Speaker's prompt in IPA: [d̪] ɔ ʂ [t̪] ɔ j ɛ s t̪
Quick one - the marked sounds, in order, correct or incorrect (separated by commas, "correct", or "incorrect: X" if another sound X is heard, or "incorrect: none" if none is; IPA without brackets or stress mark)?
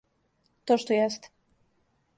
incorrect: t̪, correct